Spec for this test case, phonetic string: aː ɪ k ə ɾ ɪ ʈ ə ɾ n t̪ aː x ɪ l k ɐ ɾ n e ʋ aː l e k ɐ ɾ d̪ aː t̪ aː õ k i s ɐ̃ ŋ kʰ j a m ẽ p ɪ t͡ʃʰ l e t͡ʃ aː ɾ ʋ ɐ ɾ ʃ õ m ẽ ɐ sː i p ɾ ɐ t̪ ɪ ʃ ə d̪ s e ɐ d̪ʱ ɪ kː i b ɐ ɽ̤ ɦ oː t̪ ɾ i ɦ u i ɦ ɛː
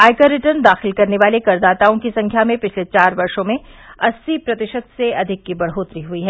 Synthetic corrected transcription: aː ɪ k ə ɾ ɪ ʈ ə ɾ n d̪ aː x ɪ l k ɐ ɾ n e ʋ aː l e k ɐ ɾ d̪ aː t̪ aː õ k i s ɐ̃ ŋ kʰ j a m ẽ p ɪ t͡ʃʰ l e t͡ʃ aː ɾ ʋ ɐ ɾ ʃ õ m ẽ ɐ sː i p ɾ ɐ t̪ ɪ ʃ ə t̪ s e ɐ d̪ʱ ɪ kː i b ɐ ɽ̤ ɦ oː t̪ ɾ i ɦ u i ɦ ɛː